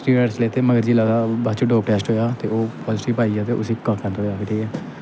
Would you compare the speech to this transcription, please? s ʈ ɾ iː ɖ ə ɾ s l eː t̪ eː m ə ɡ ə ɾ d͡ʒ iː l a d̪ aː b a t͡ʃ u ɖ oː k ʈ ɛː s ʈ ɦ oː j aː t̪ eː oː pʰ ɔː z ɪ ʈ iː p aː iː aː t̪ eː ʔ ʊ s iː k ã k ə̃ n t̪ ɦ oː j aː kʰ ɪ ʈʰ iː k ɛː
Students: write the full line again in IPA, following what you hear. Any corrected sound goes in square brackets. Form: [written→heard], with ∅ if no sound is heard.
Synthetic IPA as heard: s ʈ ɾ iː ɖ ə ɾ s l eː t̪ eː m ə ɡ ə ɾ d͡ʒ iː l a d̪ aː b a t͡ʃ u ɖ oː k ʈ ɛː s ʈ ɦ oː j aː t̪ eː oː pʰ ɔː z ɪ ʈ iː p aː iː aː t̪ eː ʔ ʊ s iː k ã k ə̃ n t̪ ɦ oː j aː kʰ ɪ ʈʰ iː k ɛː

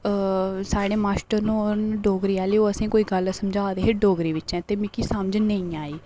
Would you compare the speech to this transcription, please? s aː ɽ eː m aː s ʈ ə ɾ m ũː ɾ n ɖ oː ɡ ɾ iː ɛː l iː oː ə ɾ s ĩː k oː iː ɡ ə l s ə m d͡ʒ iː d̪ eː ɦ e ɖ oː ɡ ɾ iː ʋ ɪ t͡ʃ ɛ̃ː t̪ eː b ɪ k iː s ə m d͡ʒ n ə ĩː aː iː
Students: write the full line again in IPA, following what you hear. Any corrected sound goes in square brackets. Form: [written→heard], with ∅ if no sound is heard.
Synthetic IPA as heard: s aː ɽ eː m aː s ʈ ə ɾ [m→n] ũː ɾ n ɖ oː ɡ ɾ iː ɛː l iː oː ə [ɾ→∅] s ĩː k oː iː ɡ ə l s ə m d͡ʒ [iː→aː] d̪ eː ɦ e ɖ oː ɡ ɾ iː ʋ ɪ t͡ʃ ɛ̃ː t̪ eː [b→m] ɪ k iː s ə m d͡ʒ n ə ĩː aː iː

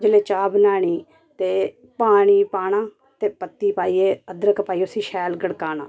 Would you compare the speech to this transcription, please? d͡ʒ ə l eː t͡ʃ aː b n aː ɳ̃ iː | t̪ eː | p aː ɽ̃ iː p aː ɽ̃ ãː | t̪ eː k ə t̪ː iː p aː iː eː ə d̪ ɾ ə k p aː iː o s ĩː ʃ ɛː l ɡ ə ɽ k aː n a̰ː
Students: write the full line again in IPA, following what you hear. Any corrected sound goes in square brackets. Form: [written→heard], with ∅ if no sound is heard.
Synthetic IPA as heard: d͡ʒ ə l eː t͡ʃ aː b n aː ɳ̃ iː | t̪ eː | p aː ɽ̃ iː p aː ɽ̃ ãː | t̪ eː [k→p] ə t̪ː iː p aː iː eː ə d̪ ɾ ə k p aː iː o s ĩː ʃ ɛː l ɡ ə ɽ k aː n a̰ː

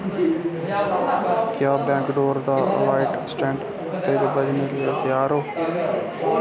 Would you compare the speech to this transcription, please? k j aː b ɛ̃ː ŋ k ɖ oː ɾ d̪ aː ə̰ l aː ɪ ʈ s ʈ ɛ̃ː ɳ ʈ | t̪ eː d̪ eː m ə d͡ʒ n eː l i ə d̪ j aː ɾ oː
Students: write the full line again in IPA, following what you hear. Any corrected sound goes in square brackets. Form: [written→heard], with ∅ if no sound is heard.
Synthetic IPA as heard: k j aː b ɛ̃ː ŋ k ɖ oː ɾ d̪ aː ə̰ l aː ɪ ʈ s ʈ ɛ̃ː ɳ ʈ | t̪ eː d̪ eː [m→b] ə d͡ʒ n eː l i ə [d̪→t̪] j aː ɾ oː

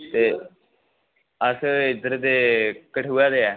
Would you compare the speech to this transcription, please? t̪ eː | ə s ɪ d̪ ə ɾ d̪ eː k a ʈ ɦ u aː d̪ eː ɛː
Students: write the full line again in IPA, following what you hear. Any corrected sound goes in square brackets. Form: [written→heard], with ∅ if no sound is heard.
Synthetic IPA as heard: t̪ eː | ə s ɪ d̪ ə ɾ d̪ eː k [a→ə] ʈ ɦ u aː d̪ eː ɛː

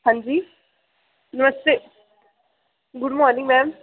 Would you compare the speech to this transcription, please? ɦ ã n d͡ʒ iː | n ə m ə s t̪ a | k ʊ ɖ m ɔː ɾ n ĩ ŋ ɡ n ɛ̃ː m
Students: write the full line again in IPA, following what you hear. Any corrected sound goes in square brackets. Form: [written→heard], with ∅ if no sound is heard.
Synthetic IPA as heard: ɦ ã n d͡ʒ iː | n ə m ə s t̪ [a→e] | [k→ɡ] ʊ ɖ m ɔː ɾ n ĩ ŋ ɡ [n→m] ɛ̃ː m

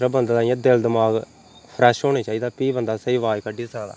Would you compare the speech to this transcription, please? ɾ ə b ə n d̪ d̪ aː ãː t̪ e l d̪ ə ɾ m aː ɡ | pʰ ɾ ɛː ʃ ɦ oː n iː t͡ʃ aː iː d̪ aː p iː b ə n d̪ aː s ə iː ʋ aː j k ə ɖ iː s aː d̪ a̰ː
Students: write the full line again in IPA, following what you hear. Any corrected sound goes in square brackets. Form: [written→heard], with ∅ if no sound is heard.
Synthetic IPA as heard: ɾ ə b ə n d̪ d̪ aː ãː [t̪→d̪] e l d̪ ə [ɾ→∅] m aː ɡ | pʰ ɾ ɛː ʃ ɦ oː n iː t͡ʃ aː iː d̪ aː p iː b ə n d̪ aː s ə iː ʋ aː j k ə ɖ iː s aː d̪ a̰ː

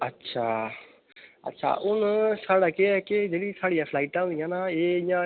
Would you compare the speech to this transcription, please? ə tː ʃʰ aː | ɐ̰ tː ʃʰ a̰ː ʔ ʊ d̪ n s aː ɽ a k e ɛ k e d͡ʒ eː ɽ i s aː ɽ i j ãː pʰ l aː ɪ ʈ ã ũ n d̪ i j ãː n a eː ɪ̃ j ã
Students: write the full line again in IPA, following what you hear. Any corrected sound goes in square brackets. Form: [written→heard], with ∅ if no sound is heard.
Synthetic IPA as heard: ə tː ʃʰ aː | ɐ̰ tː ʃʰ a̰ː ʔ ʊ [d̪→∅] n s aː ɽ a k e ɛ k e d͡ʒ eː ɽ i s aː ɽ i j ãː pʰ l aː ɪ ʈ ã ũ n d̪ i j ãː n a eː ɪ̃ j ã

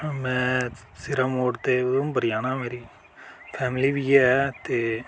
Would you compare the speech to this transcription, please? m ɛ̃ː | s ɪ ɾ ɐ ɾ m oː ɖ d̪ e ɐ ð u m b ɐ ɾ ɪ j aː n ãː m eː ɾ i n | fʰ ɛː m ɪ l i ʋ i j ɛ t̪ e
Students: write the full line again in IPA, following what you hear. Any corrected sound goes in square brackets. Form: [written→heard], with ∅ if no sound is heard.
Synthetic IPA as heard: m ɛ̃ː | s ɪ ɾ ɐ [ɾ→∅] m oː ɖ [d̪→t̪] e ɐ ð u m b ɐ ɾ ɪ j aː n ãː m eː ɾ i [n→∅] | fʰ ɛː m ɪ l i ʋ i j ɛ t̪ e

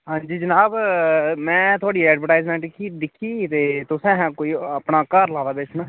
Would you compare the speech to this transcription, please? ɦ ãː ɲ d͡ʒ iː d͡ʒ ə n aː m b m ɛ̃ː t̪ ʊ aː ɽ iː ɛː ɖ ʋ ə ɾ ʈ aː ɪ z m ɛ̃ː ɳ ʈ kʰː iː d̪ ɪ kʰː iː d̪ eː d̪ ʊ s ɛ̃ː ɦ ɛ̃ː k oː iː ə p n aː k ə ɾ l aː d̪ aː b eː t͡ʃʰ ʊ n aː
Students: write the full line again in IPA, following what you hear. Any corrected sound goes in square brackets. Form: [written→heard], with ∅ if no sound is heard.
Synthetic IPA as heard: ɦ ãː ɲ d͡ʒ iː d͡ʒ ə n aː [m→∅] b m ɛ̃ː t̪ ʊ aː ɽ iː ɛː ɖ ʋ ə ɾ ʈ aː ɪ z m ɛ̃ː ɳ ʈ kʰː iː d̪ ɪ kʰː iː [d̪→t̪] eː [d̪→t̪] ʊ s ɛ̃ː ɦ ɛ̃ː k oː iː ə p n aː k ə ɾ l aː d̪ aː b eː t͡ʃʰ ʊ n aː

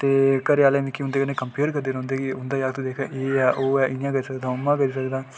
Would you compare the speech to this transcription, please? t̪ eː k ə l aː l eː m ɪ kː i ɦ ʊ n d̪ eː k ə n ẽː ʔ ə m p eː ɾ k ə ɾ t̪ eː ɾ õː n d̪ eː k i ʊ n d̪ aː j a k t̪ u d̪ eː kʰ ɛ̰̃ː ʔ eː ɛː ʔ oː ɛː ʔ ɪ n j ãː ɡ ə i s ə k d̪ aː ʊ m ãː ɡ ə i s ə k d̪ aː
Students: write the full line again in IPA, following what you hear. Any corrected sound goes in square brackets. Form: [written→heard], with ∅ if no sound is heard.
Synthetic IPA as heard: t̪ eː k ə [l→ɾ] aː l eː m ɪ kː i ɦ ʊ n d̪ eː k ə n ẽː [ʔ→k] ə m p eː ɾ k ə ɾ [t̪→d̪] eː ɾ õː n d̪ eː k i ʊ n d̪ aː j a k t̪ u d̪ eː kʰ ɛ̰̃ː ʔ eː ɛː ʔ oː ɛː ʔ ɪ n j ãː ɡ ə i s ə k d̪ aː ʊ m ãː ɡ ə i s ə k d̪ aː

